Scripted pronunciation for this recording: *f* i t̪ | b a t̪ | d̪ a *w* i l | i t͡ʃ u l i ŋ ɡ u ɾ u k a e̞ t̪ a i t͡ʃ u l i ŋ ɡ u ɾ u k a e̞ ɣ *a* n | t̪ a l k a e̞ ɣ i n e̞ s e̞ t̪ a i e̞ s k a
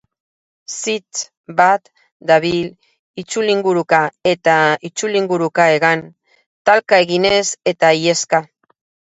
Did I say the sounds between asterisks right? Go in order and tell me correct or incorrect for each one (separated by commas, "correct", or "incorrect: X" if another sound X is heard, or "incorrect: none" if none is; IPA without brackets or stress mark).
incorrect: s, incorrect: β, correct